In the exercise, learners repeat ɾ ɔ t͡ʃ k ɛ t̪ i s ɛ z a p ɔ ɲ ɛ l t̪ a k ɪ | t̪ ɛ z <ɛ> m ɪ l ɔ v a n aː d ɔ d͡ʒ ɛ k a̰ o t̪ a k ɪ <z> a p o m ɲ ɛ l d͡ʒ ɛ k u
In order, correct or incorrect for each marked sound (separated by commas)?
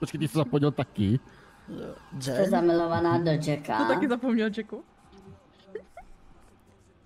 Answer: incorrect, correct